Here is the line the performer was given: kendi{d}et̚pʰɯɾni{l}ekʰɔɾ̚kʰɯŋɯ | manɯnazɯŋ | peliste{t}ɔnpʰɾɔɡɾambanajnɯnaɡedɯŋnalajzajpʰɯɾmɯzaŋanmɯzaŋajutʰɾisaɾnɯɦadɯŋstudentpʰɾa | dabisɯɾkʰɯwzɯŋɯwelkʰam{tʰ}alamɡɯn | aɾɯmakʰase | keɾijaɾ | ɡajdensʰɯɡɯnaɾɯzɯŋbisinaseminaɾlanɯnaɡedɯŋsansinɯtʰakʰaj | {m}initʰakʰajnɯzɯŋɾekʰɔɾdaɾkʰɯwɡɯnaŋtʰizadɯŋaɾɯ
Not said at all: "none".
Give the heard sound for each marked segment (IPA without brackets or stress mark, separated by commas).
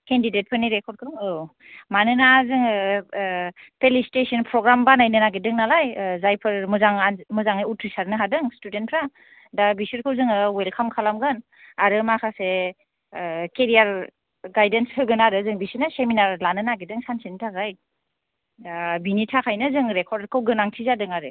d, ɾ, s, kʰ, b